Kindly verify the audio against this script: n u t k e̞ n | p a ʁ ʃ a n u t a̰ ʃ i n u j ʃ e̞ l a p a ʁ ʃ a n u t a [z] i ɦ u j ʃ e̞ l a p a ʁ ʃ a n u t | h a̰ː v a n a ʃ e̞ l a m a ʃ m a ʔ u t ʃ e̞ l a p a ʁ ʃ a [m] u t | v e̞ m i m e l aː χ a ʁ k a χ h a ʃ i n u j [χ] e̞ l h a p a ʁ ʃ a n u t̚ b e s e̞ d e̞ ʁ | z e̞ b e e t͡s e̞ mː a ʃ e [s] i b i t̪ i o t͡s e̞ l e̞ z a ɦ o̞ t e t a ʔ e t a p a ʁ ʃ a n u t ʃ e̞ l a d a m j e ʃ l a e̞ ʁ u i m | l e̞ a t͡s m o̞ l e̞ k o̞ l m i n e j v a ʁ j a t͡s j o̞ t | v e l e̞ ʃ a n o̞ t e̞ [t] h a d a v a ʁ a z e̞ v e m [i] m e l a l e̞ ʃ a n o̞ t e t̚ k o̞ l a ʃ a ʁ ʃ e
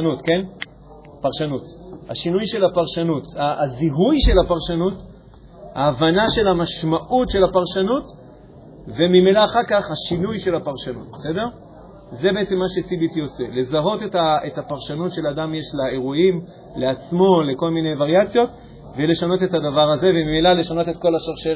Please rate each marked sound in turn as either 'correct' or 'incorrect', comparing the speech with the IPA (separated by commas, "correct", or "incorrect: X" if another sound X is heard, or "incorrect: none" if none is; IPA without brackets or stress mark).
correct, incorrect: n, incorrect: ʃ, correct, correct, correct